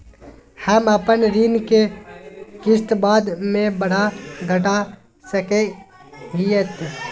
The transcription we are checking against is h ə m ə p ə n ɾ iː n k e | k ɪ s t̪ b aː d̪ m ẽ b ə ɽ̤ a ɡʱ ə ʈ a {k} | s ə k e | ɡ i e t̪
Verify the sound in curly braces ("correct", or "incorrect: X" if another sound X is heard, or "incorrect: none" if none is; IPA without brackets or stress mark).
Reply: incorrect: none